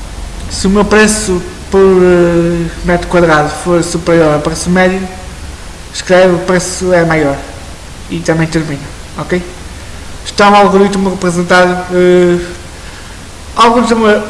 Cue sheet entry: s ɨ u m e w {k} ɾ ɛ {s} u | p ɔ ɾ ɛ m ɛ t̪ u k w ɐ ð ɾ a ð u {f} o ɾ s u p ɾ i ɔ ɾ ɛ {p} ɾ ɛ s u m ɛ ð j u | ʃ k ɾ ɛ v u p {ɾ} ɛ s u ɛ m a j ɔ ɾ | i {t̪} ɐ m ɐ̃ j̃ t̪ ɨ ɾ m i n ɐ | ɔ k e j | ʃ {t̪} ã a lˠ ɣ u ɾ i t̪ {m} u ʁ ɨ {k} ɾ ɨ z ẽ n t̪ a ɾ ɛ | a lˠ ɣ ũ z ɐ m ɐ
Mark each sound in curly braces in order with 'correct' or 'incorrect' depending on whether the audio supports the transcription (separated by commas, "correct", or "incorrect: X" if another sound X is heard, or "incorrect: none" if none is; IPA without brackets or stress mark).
incorrect: p, correct, correct, correct, correct, correct, correct, correct, incorrect: p